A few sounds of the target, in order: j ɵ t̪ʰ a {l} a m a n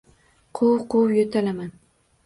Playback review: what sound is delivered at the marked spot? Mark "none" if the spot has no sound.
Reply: l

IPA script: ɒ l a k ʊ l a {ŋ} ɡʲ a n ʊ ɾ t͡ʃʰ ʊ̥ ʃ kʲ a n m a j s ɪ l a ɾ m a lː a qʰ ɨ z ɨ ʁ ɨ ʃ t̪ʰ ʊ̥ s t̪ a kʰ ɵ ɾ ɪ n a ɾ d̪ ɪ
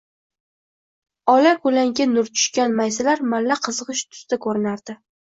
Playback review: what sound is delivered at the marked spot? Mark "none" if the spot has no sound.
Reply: ŋ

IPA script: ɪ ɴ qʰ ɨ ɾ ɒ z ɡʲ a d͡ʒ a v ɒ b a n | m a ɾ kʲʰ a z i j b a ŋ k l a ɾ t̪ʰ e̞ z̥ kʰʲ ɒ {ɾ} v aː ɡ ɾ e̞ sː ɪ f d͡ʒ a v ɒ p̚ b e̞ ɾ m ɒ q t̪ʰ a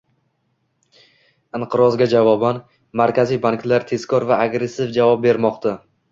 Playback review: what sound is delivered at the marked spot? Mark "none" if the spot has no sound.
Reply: ɾ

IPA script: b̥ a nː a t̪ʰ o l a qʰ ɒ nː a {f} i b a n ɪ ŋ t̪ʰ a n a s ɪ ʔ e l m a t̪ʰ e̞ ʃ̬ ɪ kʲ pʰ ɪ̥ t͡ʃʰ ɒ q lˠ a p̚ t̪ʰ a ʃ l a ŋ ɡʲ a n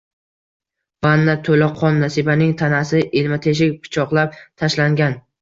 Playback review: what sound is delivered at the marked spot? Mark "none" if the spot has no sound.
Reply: s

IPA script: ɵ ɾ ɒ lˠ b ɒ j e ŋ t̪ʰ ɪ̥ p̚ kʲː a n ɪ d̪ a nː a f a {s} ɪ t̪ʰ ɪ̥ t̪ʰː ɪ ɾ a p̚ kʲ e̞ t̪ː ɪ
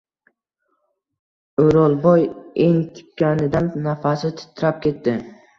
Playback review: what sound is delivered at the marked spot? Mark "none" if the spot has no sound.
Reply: s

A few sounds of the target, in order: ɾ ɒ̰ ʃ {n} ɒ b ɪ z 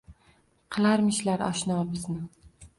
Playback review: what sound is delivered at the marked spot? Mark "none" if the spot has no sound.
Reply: n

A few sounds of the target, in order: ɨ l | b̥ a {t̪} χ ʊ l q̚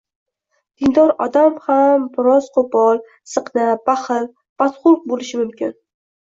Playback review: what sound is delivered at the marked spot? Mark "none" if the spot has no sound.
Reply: t̪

